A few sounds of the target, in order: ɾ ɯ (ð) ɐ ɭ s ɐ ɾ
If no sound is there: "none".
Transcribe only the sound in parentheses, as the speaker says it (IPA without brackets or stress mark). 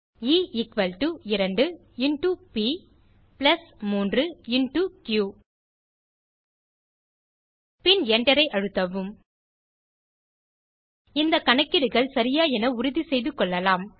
ɣ